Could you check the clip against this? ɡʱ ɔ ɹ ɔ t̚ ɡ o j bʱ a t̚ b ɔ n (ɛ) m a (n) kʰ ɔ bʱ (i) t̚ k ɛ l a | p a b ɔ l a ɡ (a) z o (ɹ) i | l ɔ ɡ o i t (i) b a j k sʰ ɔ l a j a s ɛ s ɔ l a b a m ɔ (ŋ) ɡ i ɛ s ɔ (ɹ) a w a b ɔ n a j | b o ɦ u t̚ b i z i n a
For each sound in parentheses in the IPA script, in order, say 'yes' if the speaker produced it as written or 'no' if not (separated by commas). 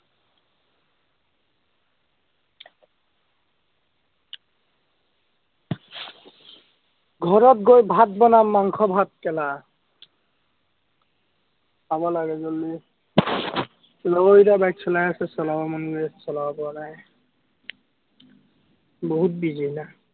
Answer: no, no, no, no, no, no, no, no